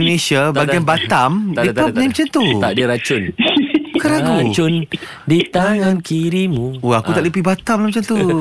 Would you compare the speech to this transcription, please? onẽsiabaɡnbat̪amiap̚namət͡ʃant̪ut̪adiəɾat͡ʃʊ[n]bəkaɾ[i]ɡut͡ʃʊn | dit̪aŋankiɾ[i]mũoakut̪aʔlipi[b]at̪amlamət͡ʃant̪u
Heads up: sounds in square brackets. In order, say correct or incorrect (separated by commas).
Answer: correct, incorrect, correct, correct